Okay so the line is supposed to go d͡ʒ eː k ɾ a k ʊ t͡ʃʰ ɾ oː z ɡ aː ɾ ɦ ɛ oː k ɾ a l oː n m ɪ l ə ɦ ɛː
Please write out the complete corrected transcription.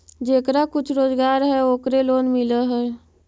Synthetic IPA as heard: d͡ʒ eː k ɾ a k ʊ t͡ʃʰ ɾ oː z ɡ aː ɾ ɦ ɛ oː k ɾ e l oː n m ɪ l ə ɦ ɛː